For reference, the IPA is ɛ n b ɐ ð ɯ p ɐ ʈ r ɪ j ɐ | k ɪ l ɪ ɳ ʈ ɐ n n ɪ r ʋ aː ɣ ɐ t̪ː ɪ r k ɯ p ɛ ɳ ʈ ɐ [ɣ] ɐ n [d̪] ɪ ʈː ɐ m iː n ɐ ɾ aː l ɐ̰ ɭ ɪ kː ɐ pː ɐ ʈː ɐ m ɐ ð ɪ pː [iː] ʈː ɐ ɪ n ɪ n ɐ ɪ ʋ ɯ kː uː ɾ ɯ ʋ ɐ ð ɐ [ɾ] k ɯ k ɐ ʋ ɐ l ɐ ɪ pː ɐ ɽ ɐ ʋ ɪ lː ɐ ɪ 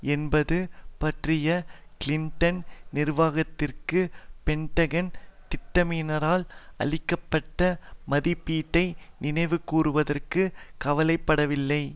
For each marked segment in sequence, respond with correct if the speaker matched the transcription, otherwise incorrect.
correct, incorrect, correct, incorrect

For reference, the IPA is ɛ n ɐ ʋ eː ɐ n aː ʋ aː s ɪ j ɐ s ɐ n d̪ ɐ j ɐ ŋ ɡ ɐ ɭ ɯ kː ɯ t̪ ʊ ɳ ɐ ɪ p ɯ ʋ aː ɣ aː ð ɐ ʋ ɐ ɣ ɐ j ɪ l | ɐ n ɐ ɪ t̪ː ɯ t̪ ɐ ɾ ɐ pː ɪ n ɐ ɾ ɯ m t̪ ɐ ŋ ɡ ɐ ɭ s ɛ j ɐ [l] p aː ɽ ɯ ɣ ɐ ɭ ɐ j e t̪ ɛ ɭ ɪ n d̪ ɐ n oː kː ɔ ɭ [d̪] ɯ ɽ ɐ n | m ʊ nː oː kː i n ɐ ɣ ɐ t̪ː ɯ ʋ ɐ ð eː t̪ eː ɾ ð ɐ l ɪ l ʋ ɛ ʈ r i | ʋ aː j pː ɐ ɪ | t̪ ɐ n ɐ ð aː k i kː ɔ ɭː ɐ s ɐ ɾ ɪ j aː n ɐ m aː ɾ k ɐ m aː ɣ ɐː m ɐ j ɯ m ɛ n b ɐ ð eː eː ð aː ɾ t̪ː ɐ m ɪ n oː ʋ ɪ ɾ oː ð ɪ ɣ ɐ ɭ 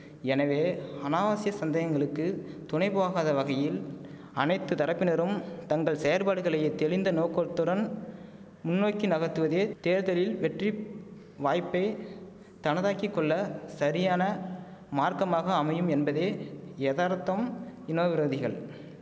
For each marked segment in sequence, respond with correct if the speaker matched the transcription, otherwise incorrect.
incorrect, incorrect

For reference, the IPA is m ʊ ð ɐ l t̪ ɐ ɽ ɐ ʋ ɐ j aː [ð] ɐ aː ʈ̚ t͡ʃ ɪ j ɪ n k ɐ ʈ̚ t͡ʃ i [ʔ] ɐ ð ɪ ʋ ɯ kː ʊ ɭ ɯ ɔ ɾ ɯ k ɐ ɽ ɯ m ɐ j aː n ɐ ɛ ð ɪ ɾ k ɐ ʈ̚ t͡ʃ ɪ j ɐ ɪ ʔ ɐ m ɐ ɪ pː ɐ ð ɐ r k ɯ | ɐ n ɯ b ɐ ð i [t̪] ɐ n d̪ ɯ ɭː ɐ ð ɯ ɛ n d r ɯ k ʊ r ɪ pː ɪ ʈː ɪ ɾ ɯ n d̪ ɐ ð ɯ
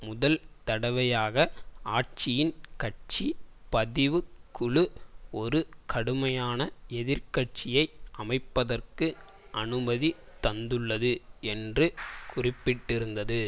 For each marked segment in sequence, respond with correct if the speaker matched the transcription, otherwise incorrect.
incorrect, incorrect, correct

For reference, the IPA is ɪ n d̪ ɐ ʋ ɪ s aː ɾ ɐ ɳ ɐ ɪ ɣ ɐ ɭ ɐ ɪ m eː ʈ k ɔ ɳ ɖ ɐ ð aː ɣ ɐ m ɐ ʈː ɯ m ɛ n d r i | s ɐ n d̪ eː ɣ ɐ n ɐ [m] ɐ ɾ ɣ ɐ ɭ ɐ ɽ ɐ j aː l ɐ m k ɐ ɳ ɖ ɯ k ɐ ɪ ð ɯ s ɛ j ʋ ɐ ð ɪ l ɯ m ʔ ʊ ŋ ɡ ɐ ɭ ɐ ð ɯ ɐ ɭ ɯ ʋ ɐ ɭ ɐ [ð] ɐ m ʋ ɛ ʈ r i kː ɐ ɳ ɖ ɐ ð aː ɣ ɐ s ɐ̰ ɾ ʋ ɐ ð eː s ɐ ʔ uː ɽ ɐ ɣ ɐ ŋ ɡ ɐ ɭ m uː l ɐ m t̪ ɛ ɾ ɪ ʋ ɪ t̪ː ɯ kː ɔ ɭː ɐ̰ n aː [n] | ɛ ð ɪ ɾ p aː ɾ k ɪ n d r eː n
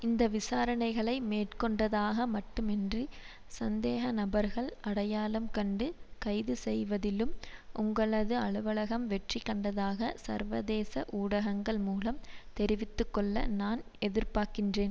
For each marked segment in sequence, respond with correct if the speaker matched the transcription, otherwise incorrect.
incorrect, incorrect, correct

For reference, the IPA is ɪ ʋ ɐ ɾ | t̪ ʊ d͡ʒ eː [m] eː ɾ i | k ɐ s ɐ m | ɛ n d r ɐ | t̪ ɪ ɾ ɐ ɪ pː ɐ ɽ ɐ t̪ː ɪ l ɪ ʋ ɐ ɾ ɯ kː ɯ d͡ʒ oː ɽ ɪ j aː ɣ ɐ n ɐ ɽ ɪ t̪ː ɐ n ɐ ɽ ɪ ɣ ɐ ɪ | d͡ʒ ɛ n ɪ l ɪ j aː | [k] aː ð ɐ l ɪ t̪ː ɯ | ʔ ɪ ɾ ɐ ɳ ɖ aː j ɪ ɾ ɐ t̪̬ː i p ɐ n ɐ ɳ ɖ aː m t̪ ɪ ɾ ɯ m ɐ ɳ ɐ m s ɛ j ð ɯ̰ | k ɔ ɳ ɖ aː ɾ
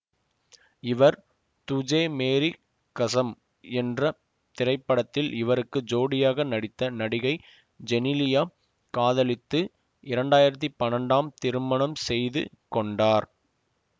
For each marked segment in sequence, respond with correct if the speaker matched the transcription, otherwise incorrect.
correct, correct

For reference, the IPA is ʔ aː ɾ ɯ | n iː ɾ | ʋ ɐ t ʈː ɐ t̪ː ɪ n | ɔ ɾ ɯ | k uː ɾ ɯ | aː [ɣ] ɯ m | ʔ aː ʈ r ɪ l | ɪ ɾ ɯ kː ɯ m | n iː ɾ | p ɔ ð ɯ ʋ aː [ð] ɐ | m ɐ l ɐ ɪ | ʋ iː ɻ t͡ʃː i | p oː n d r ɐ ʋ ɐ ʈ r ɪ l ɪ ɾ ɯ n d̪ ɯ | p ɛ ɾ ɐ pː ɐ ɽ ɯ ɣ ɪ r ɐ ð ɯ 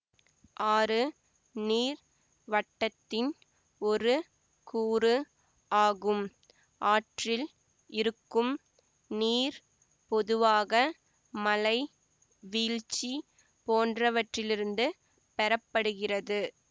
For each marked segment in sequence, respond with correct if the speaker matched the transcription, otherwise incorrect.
correct, incorrect

